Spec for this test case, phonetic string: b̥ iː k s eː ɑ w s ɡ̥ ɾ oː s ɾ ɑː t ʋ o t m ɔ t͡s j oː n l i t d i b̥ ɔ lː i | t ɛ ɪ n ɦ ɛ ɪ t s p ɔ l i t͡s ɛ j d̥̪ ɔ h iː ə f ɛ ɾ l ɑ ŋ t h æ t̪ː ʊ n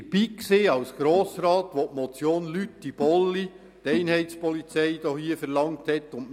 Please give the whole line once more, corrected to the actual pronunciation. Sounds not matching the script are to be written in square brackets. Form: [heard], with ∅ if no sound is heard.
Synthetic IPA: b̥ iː k s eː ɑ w s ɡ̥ ɾ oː s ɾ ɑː t ʋ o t m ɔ t͡s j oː n l [y] t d i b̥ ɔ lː i | t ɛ ɪ n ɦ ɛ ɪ t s p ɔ l i t͡s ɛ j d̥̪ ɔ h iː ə f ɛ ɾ l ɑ ŋ t h [ɛ] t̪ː ʊ n